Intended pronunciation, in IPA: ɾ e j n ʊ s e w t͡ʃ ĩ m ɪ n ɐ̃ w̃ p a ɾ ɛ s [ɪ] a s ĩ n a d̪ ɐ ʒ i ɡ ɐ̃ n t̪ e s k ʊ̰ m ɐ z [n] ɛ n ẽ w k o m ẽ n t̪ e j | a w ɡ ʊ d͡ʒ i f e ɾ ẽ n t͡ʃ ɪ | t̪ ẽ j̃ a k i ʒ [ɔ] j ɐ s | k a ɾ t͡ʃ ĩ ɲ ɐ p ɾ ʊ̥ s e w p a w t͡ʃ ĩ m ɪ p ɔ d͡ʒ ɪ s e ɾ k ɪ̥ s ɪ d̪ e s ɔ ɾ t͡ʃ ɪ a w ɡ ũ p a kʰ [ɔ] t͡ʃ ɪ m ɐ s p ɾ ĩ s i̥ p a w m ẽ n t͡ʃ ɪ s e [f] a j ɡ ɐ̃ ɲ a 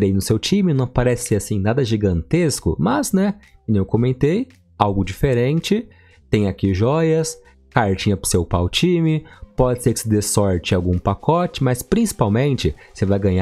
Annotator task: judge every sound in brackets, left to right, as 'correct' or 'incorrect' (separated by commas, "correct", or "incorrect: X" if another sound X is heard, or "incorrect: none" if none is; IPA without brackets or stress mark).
correct, correct, correct, correct, incorrect: v